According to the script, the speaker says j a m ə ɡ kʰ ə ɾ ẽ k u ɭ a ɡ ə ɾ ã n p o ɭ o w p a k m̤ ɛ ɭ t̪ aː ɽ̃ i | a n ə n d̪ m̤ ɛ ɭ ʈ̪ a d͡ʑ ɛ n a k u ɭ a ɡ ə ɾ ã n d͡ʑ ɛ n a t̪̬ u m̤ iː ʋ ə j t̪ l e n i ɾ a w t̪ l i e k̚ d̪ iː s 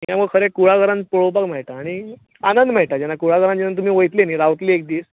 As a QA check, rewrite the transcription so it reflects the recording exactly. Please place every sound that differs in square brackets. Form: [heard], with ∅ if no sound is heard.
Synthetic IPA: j a m ə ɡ kʰ ə ɾ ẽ k u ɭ a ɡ ə ɾ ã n p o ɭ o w p a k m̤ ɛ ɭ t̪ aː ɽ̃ i | a n ə n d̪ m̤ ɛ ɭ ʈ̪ a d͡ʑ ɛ n a k u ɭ a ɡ ə ɾ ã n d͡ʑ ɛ n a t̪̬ u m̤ iː ʋ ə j t̪ l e n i ɾ a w t̪ l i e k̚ d̪ iː s